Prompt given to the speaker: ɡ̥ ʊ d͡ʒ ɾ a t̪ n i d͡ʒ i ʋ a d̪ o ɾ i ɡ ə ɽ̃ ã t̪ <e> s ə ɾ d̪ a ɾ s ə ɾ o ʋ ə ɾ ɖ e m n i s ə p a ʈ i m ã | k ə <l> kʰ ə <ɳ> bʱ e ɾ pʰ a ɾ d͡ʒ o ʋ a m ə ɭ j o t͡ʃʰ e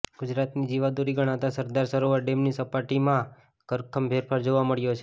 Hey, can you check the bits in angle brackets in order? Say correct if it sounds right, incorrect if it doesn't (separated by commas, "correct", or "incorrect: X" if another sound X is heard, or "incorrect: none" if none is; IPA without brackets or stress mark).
incorrect: a, incorrect: ɾ, incorrect: m